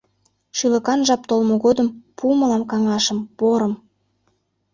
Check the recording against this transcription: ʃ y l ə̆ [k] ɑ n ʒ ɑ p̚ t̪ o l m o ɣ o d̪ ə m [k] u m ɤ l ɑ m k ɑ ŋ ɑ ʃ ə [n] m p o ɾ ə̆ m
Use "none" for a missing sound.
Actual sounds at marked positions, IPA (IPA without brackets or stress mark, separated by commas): k, p, none